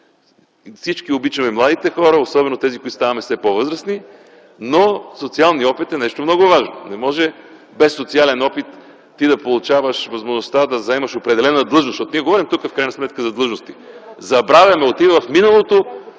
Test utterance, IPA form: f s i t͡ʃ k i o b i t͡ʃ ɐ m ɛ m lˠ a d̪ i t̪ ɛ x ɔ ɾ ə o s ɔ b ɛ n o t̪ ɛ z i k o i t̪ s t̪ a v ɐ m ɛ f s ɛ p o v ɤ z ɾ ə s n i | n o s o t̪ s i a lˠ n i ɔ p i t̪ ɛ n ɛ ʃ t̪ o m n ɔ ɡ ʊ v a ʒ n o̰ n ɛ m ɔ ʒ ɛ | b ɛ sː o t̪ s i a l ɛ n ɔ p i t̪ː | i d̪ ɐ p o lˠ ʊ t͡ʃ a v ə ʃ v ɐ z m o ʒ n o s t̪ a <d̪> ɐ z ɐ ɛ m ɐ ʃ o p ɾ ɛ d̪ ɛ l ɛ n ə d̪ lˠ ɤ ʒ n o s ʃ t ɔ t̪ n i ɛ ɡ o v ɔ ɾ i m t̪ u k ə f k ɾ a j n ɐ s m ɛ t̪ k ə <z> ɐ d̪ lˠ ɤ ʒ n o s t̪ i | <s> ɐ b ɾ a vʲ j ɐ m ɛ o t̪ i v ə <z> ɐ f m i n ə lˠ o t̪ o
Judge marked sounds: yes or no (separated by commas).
yes, yes, no, no